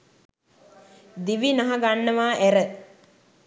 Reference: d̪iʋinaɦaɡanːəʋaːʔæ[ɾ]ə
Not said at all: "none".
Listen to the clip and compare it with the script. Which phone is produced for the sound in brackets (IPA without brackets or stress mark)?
ɾ